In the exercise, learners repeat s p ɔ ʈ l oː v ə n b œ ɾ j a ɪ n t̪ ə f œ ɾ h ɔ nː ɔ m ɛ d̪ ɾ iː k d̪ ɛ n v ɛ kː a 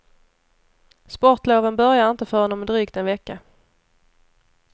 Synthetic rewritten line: s p ɔ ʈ l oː v ə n b œ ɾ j a ɪ n t̪ ə f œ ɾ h ɔ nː ɔ m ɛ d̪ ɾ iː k t̪ ɛ n v ɛ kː a